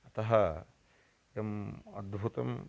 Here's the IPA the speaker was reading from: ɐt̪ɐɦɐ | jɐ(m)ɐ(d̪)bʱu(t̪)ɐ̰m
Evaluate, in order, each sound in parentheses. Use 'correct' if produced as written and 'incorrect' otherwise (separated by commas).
correct, correct, correct